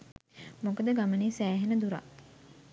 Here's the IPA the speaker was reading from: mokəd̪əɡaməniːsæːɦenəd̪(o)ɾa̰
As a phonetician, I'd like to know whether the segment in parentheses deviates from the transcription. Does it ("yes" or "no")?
yes